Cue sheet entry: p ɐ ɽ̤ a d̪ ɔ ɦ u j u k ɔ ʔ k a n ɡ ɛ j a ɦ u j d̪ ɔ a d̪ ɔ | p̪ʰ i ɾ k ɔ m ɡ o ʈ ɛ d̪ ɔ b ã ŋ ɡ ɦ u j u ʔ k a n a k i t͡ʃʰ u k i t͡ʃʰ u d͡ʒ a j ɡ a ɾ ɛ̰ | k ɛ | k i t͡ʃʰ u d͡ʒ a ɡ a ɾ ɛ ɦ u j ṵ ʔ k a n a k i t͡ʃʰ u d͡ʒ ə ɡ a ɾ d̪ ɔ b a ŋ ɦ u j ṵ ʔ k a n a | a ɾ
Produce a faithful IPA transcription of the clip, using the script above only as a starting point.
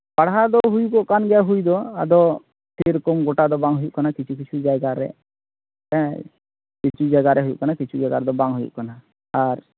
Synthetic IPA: p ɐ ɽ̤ a d̪ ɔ ɦ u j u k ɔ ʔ k a n ɡ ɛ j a ɦ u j d̪ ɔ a d̪ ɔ | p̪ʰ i ɾ k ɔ m ɡ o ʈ a d̪ ɔ b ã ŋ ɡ ɦ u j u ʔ k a n a k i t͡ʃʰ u k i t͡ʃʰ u d͡ʒ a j ɡ a ɾ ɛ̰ | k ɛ | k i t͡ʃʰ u d͡ʒ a ɡ a ɾ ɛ ɦ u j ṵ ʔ k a n a k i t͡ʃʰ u d͡ʒ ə ɡ a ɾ d̪ ɔ b a ŋ ɦ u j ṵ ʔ k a n a | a ɾ